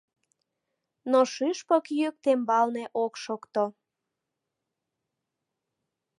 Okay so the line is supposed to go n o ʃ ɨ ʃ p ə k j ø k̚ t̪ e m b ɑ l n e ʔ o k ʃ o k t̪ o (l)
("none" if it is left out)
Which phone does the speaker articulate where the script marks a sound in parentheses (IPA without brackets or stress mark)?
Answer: none